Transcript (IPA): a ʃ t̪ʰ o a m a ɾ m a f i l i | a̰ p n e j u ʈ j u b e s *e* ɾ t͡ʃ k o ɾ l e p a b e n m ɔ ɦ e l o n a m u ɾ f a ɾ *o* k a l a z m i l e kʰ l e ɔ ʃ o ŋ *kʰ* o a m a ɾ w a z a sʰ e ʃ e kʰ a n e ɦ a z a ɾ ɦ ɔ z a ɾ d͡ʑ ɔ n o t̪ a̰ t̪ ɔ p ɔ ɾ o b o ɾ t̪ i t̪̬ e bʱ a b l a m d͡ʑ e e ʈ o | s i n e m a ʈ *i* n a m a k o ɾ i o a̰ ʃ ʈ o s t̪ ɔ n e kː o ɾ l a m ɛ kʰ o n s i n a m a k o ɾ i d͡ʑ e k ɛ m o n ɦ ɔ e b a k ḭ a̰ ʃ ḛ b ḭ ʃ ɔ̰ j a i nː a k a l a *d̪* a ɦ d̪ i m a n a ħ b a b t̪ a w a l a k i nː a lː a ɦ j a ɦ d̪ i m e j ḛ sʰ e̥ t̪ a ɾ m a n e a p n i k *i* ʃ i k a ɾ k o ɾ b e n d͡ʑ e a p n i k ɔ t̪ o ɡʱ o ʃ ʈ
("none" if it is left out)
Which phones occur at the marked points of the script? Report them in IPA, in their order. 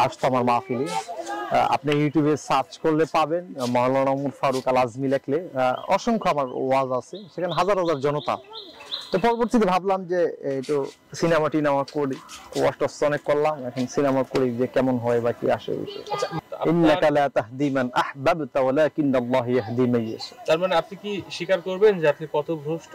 a, u, kʰ, i, t̪, i

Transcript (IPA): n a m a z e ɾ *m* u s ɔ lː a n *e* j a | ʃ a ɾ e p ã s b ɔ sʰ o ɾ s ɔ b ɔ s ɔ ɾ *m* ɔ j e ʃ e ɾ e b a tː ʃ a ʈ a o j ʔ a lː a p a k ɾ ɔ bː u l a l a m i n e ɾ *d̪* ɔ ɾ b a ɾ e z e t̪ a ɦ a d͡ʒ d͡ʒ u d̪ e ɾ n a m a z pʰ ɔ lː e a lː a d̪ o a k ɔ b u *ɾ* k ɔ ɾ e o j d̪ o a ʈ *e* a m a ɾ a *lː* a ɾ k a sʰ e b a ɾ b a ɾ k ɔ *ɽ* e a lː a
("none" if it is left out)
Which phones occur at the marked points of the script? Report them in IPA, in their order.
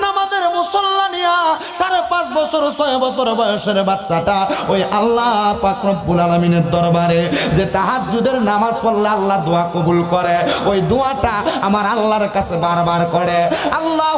m, i, b, d̪, l, a, lː, ɽ

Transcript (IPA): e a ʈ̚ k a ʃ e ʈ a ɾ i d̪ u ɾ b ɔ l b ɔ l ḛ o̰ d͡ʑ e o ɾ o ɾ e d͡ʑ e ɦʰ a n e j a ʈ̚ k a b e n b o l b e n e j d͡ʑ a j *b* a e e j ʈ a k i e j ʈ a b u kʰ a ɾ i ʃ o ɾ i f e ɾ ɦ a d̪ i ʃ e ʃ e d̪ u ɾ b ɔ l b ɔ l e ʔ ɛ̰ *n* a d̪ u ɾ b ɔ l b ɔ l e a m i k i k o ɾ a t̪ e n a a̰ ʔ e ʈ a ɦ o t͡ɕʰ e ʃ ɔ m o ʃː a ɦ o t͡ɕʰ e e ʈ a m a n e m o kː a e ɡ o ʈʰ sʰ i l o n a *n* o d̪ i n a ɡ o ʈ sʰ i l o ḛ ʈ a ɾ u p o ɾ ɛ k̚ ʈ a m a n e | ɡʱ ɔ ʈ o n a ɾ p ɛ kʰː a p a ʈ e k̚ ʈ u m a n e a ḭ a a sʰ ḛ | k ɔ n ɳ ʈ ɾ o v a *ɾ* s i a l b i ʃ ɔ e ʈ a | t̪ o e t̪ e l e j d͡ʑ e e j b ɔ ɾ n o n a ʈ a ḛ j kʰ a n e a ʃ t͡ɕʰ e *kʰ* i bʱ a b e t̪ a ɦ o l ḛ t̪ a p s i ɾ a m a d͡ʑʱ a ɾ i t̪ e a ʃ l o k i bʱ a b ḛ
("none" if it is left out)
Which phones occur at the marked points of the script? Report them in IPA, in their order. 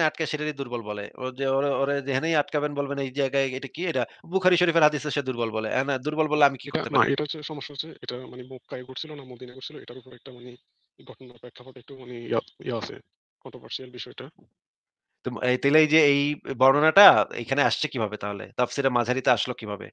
ɡ, n, m, ɾ, k

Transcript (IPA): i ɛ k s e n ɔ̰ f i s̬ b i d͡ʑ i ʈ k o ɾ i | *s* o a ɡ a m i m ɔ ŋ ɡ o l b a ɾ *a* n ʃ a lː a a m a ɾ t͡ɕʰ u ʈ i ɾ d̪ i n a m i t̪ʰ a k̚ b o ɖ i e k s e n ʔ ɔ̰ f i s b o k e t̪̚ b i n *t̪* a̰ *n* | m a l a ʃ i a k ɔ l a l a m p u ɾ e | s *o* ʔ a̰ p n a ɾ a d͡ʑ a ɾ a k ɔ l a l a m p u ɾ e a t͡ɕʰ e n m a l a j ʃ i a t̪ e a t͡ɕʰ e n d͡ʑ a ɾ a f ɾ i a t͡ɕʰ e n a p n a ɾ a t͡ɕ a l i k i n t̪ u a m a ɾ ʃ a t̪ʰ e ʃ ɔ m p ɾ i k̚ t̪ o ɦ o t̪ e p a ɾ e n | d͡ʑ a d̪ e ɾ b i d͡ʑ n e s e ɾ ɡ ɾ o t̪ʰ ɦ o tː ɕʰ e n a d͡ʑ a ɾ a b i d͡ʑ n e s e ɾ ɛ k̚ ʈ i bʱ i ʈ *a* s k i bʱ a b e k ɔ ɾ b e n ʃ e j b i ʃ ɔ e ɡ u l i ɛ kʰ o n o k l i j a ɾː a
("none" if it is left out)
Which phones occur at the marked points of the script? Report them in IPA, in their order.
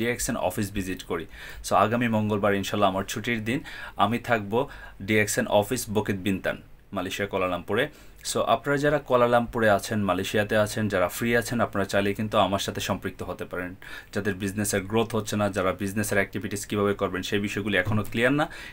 s, i, t̪, n, o, i

